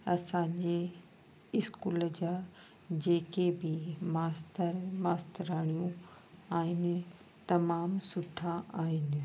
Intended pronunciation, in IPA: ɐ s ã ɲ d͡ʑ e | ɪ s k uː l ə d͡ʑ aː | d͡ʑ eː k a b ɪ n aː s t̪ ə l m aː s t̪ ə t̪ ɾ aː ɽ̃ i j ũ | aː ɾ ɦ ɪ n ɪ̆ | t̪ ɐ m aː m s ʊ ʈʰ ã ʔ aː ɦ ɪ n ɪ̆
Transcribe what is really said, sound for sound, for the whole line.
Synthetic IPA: ɐ s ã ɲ d͡ʑ e | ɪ s k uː l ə d͡ʑ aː | d͡ʑ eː k e b ɪ m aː s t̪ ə ɾ m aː s t̪ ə ɾ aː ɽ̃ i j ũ | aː ɦ ɪ n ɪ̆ | t̪ ɐ m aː m s ʊ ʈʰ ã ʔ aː ɦ ɪ n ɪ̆